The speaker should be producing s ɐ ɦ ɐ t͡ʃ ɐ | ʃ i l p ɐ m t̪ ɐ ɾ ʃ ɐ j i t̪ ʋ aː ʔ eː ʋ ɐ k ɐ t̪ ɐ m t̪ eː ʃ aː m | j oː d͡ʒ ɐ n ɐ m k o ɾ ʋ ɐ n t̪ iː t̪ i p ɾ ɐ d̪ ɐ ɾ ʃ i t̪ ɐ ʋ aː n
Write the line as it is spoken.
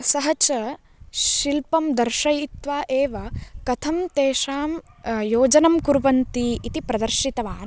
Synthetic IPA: s ɐ ɦ ɐ t͡ʃ ɐ | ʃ i l p ɐ m d̪ ɐ ɾ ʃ ɐ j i t̪ ʋ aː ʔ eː ʋ ɐ k ɐ t̪ʰ ɐ m t̪ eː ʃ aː m | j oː d͡ʒ ɐ n ɐ m k u ɾ ʋ ɐ n t̪ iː t̪ i p ɾ ɐ d̪ ɐ ɾ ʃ i t̪ ɐ ʋ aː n